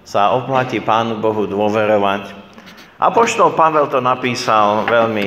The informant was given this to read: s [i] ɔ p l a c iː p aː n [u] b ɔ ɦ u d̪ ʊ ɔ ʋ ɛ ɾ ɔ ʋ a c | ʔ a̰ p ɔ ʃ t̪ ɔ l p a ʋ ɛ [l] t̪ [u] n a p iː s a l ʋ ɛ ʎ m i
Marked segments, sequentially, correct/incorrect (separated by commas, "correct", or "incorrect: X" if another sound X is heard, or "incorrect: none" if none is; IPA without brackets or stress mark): incorrect: a, correct, correct, incorrect: ɔ